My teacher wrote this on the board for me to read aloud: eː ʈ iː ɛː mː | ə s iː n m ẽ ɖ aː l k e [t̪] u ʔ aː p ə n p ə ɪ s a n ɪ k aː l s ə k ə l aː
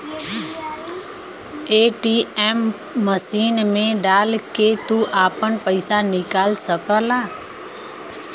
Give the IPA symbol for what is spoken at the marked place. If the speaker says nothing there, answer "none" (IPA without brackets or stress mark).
t̪